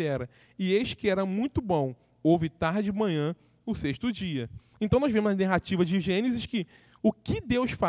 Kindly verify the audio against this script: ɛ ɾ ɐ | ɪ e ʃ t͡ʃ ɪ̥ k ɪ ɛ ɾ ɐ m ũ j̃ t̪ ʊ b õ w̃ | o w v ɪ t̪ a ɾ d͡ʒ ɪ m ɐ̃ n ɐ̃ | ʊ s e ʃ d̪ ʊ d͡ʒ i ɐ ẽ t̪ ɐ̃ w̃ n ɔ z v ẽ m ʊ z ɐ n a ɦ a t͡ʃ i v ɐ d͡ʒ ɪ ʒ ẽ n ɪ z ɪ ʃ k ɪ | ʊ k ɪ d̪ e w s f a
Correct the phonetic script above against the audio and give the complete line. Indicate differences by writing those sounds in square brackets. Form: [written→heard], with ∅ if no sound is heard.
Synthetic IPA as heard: ɛ ɾ ɐ | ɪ e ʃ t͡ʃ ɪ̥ k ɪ ɛ ɾ ɐ m ũ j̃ t̪ ʊ b õ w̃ | o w v ɪ t̪ a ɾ d͡ʒ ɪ m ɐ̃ [n→ɲ] ɐ̃ | ʊ s e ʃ [d̪→t̪] ʊ d͡ʒ i ɐ ẽ t̪ ɐ̃ w̃ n ɔ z v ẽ m ʊ z ɐ n a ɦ a t͡ʃ i v ɐ d͡ʒ ɪ ʒ ẽ n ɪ z ɪ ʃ k ɪ | ʊ k ɪ d̪ e w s f a